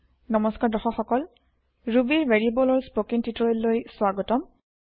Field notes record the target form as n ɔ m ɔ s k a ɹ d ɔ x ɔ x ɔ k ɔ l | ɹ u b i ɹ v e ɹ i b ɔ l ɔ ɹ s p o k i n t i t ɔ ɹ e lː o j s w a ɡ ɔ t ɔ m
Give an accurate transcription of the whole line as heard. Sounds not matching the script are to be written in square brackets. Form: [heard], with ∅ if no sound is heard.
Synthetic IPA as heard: n ɔ m ɔ s k a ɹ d ɔ x ɔ x ɔ k ɔ l | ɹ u b i ɹ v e ɹ i b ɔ l ɔ ɹ s p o k i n t i t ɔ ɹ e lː o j s w a ɡ ɔ t ɔ m